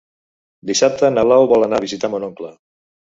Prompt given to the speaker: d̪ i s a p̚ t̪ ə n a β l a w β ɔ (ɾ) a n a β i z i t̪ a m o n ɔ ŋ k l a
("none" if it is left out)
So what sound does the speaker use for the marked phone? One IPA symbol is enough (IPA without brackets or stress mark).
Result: l